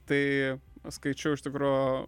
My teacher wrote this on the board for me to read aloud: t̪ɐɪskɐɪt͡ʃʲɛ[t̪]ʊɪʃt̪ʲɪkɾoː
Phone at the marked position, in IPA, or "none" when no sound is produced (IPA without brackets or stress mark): none